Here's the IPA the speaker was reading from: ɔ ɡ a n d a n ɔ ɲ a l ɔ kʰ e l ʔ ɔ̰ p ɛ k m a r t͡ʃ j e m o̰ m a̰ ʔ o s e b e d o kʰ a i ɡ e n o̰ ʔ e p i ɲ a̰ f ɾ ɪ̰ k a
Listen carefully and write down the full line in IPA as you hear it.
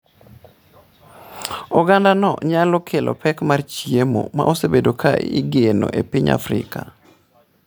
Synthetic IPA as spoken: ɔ ɡ a n d a n ɔ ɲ a l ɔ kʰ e l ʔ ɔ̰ p ɛ k m a r t͡ʃ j e m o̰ m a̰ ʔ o s e b e d o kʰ a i ɡ e n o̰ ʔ e p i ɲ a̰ f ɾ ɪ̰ k a